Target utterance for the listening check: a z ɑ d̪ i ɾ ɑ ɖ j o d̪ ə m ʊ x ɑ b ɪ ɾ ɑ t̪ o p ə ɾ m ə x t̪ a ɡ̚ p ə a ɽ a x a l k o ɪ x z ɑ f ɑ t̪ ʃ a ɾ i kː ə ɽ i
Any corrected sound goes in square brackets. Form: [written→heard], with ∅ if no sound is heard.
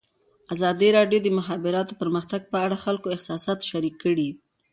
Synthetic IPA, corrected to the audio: a z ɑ d̪ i ɾ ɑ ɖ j o d̪ ə m ʊ x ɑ b ɪ ɾ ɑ t̪ o p ə ɾ m ə x t̪ a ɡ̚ p ə a ɽ a x a l k o ɪ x [z→s] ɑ [f→s] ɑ t̪ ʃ a ɾ i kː ə ɽ i